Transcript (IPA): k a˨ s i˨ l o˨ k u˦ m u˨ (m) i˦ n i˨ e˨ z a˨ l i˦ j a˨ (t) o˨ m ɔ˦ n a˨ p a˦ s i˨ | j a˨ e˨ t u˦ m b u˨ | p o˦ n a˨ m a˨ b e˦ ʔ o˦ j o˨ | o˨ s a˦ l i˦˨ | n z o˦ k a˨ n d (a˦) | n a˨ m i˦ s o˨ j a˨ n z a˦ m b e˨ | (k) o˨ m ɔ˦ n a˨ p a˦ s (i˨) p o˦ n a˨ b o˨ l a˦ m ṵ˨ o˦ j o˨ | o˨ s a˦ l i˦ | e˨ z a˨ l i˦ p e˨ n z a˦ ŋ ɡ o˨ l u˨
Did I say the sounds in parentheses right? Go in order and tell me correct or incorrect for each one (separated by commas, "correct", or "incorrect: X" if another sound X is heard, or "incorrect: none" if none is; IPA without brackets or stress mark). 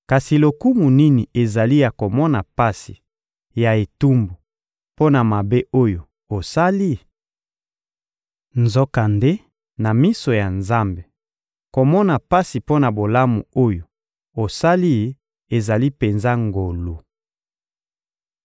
incorrect: n, incorrect: k, incorrect: e˦, correct, correct